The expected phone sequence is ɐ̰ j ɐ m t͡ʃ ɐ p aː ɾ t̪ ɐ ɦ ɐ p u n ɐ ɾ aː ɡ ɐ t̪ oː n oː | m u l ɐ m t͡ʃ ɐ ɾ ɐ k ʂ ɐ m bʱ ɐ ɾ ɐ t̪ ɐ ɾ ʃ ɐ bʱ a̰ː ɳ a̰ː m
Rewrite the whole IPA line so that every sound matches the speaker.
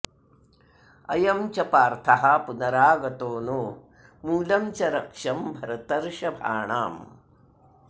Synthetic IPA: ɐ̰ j ɐ m t͡ʃ ɐ p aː ɾ t̪ʰ ɐ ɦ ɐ p u n ɐ ɾ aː ɡ ɐ t̪ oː n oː | m uː l ɐ m t͡ʃ ɐ ɾ ɐ k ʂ ɐ m bʱ ɐ ɾ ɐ t̪ ɐ ɾ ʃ ɐ bʱ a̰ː ɳ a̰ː m